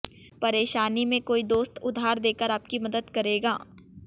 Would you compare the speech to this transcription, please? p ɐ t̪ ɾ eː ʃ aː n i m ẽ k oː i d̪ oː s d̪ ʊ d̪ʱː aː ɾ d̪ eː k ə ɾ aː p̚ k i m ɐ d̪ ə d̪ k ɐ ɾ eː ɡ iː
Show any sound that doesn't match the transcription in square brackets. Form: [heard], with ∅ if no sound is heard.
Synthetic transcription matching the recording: p ɐ [∅] ɾ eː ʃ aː n i m ẽ k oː i d̪ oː s [t̪] ʊ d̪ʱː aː ɾ d̪ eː k ə ɾ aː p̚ k i m ɐ d̪ ə d̪ k ɐ ɾ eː ɡ [aː]